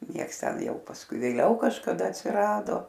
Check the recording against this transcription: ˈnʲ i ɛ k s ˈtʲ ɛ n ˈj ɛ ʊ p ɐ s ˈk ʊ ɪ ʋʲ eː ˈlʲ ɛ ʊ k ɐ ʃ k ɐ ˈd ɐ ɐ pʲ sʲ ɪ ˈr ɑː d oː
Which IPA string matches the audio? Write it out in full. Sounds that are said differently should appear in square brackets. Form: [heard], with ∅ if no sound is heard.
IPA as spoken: ˈnʲ i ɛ k s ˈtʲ ɛ n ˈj ɛ ʊ p ɐ s ˈk ʊ ɪ ʋʲ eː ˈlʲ ɛ ʊ k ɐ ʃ k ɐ ˈd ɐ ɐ [tʲ] sʲ ɪ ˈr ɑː d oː